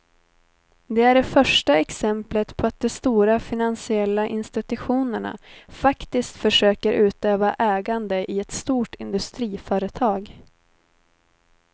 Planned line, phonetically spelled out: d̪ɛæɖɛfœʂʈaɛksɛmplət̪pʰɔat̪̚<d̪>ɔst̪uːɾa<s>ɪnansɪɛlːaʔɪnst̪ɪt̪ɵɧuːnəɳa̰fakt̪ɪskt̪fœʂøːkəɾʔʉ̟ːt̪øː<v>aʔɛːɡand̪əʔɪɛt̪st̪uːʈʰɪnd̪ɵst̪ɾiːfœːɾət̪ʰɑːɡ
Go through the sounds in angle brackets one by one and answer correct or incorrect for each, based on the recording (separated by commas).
correct, incorrect, correct